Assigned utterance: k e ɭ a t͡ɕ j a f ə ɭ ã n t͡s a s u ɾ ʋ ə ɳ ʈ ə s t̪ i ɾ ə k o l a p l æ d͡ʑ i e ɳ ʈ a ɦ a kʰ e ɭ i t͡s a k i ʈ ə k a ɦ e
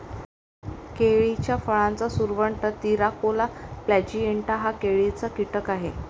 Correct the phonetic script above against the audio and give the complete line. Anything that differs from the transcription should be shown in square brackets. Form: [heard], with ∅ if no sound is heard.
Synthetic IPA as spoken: k e ɭ [i] t͡ɕ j a f ə ɭ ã n t͡s a s u ɾ ʋ ə ɳ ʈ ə [∅] t̪ i ɾ [a] k o l a p l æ d͡ʑ i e ɳ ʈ a ɦ a [k] e ɭ i t͡s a k i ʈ ə k a ɦ e

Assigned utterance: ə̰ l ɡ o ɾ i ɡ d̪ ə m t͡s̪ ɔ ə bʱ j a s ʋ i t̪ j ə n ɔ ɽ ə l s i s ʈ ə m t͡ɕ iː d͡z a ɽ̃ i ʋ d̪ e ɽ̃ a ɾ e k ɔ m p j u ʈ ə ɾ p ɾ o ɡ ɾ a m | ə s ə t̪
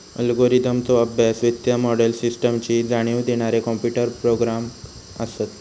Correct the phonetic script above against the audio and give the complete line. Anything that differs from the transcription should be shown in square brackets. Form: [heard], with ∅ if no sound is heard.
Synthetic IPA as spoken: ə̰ l ɡ o ɾ i [∅] d̪ ə m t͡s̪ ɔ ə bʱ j a s ʋ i t̪ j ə [m] ɔ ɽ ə l s i s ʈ ə m t͡ɕ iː d͡z a ɽ̃ i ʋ d̪ e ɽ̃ a ɾ e k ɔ m p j u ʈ ə ɾ p ɾ o ɡ ɾ a m | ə s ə t̪

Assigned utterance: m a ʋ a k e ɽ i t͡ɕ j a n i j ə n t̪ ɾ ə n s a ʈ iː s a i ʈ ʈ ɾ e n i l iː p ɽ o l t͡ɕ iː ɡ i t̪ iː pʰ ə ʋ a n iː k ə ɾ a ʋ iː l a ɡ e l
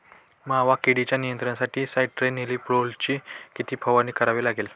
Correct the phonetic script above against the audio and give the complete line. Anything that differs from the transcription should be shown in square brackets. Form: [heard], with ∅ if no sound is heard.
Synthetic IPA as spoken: m a ʋ a k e ɽ i t͡ɕ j a n i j ə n t̪ ɾ ə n s a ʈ iː s a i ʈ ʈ ɾ e n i l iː p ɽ o l t͡ɕ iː [k] i t̪ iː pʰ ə ʋ a n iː k ə ɾ a ʋ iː l a ɡ e l

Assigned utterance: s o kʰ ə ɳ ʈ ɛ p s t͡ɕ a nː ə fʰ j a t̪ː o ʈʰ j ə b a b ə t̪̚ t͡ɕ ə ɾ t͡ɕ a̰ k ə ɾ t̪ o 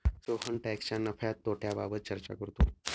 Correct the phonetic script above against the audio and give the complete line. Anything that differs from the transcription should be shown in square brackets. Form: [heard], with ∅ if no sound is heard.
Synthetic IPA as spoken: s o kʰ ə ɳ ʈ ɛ [k] s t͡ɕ a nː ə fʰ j a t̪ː o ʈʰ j [a] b a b ə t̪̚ t͡ɕ ə ɾ t͡ɕ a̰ k ə ɾ t̪ o

